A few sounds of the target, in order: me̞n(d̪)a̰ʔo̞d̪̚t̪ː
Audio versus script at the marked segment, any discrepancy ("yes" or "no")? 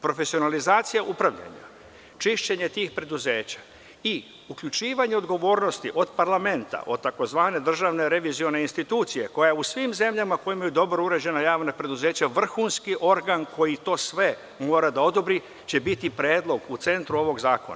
yes